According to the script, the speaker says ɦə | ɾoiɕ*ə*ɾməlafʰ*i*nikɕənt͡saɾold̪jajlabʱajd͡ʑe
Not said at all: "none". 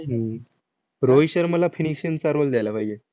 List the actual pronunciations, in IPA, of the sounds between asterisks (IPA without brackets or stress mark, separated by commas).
ə, i